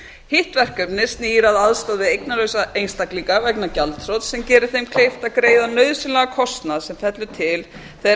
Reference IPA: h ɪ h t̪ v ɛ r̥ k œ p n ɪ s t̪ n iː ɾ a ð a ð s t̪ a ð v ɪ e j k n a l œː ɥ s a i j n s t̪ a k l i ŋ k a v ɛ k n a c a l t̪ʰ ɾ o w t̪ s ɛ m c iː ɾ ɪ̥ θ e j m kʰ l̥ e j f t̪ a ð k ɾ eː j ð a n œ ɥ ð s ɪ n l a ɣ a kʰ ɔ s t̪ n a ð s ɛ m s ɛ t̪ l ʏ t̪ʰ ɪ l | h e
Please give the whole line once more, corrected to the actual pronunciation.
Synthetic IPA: h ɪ h t̪ v ɛ r̥ k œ p n ɪ s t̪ n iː ɾ a ð a ð s t̪ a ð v ɪ e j k n a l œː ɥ s a e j n s t̪ a k l i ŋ k a v ɛ k n a c a l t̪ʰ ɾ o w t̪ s ɛ m c ɛː ɾ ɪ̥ θ e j m kʰ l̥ e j f t̪ a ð k ɾ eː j ð a n œ ɥ ð s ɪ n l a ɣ a kʰ ɔ s t̪ n a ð s ɛ m f ɛ t̪ l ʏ t̪ʰ ɪ l | θ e